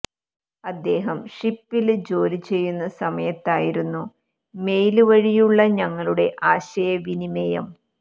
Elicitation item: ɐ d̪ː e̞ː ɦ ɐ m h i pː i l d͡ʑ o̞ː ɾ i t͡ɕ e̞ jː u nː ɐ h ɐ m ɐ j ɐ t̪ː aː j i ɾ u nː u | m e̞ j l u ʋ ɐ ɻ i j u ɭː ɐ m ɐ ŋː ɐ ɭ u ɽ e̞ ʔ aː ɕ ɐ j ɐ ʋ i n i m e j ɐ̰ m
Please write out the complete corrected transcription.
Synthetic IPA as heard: ɐ d̪ː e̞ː ɦ ɐ m ʂ i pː i l d͡ʑ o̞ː ɾ i t͡ɕ e̞ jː u nː ɐ s ɐ m ɐ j ɐ t̪ː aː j i ɾ u nː u | m e̞ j l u ʋ ɐ ɻ i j u ɭː ɐ ɲ ɐ ŋː ɐ ɭ u ɽ e̞ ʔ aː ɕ ɐ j ɐ ʋ i n i m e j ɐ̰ m